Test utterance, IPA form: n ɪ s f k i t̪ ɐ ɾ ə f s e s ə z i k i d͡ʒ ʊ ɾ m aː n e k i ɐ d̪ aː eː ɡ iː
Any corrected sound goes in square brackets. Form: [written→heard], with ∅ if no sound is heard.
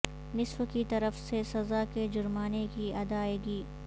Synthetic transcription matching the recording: n ɪ s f k i t̪ ɐ ɾ ə f s e s [ə→ɐ] z [i→a] k [i→e] d͡ʒ ʊ ɾ m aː n e k i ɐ d̪ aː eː ɡ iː

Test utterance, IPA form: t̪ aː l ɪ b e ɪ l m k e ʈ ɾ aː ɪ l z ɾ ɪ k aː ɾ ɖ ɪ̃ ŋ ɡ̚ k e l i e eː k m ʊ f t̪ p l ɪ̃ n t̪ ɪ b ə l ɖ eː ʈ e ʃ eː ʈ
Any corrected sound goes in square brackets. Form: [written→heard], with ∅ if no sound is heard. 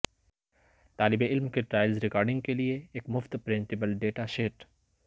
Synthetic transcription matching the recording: t̪ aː l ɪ b e ɪ l m k e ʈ ɾ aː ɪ l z ɾ ɪ k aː ɾ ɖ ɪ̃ ŋ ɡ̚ k e l i e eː k m ʊ f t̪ p [l→ɾ] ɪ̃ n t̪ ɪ b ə l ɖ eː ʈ [e→a] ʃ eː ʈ

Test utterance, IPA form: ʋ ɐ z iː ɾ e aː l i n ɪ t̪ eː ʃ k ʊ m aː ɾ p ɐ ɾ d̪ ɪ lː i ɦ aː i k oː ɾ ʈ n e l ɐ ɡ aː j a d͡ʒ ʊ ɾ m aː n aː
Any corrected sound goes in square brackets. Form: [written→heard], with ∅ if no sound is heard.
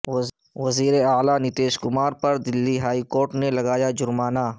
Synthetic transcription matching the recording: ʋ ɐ z iː ɾ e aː l [i→a] n ɪ t̪ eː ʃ k ʊ m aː ɾ p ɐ ɾ d̪ ɪ lː i ɦ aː i k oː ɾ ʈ n e l ɐ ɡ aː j a d͡ʒ ʊ ɾ m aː n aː

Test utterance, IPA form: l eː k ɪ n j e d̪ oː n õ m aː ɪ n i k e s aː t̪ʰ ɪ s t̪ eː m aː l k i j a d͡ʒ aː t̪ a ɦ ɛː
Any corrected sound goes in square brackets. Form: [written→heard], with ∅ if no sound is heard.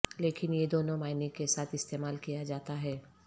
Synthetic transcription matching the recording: l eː k ɪ n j e d̪ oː n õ m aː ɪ n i k e s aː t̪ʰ ɪ s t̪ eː m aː l k i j a d͡ʒ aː t̪ a ɦ ɛː

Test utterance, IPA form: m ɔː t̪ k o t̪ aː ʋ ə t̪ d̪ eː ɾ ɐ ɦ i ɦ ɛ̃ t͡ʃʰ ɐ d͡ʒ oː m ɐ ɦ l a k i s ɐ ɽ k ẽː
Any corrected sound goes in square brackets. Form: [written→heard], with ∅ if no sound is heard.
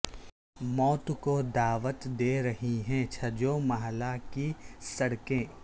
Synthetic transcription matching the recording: m ɔː t̪ k o [t̪→d̪] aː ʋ ə t̪ d̪ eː ɾ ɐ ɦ i ɦ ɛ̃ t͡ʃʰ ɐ d͡ʒ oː m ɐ ɦ l a k i s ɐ ɽ k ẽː

